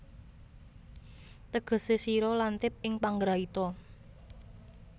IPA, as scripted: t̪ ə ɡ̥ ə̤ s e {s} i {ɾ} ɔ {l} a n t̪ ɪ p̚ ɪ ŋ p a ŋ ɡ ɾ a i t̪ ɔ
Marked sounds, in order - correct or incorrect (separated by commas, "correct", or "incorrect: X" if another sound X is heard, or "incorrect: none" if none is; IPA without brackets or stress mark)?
correct, correct, correct